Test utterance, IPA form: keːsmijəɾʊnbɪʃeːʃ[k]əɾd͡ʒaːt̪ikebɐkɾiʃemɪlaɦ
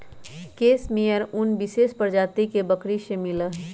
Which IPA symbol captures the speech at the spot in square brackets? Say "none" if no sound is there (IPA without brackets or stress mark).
p